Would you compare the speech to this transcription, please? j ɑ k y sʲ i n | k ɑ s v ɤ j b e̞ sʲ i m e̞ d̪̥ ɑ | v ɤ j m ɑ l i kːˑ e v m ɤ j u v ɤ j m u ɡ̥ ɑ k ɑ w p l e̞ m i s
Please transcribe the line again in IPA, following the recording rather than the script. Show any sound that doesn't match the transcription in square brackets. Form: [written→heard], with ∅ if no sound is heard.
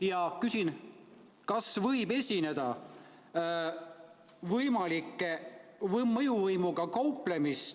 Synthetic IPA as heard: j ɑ k y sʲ i n | k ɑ s v ɤ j b e̞ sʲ i [m→n] e̞ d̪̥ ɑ | v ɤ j m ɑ l i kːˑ e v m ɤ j u v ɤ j m u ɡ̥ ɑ k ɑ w p l e̞ m i s